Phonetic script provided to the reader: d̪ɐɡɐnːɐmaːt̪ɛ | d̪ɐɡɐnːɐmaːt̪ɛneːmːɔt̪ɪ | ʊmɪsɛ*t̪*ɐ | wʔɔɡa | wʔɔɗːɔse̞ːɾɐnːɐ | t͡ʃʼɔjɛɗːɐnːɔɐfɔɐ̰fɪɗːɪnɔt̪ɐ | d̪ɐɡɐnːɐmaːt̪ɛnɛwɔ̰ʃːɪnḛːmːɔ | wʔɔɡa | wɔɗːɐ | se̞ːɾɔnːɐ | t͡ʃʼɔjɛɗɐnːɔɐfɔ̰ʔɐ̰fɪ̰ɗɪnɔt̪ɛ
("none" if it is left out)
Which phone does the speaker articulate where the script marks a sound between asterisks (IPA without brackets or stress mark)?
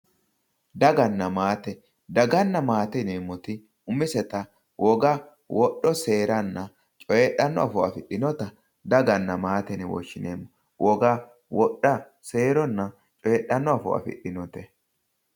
t̪